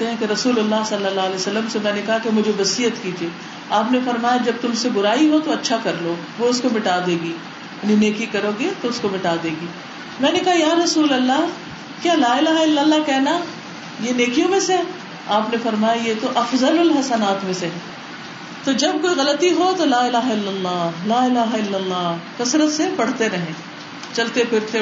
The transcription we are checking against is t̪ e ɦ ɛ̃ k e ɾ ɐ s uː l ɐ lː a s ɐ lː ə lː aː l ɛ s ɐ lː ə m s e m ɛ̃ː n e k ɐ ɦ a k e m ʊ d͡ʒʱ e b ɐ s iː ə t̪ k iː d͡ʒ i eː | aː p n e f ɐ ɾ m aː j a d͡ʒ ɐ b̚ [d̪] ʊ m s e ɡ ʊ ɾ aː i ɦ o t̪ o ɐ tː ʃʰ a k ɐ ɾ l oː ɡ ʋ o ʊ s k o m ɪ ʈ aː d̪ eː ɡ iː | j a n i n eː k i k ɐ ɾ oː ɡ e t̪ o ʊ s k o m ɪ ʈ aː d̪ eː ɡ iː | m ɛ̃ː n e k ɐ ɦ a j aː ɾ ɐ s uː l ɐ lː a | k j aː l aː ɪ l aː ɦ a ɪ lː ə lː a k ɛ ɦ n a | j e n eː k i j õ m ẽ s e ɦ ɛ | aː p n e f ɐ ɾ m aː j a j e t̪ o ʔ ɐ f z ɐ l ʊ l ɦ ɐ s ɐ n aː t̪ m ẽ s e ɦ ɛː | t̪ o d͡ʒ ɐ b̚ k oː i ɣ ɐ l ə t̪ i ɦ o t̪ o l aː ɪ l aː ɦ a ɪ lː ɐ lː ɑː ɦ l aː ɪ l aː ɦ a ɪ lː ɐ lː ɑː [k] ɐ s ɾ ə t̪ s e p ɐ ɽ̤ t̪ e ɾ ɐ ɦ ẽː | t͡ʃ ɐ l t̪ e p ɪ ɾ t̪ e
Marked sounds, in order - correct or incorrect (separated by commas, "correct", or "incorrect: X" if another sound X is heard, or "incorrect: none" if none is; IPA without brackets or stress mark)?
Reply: incorrect: t̪, correct